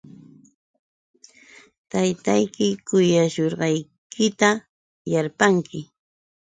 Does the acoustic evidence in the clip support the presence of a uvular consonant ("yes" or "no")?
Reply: yes